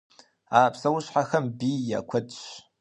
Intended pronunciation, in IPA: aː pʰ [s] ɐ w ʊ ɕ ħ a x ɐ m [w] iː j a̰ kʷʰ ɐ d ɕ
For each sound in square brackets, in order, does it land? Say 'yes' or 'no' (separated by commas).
yes, no